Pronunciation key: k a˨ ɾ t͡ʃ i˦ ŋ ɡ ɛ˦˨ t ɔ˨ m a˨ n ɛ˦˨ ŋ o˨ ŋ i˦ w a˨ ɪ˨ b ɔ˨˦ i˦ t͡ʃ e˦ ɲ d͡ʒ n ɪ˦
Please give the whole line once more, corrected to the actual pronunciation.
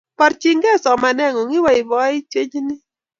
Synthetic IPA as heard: p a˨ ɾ t͡ʃ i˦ ŋ ɡ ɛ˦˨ s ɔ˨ m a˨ n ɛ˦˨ ŋ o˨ ŋ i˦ w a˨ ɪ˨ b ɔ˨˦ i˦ t͡ʃ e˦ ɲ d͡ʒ n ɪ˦